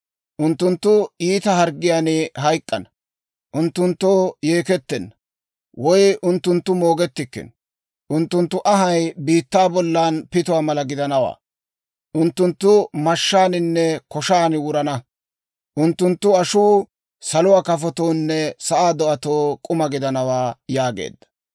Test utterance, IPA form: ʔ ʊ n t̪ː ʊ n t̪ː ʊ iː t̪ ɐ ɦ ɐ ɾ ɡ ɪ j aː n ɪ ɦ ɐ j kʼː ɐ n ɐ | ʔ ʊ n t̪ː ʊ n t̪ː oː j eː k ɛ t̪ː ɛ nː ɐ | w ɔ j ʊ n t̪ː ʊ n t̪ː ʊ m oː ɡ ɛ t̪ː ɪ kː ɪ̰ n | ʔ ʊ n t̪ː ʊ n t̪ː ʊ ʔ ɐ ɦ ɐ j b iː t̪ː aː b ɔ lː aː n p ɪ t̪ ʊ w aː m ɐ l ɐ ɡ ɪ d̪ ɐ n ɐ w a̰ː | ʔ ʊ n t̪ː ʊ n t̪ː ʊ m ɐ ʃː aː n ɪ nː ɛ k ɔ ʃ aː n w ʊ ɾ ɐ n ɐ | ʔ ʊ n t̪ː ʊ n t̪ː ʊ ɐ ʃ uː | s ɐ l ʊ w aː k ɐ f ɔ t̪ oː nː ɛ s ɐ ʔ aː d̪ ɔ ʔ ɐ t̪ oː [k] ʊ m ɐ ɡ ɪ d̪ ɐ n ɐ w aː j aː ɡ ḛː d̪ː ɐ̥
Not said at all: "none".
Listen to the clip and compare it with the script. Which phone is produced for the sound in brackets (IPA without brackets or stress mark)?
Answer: kʼ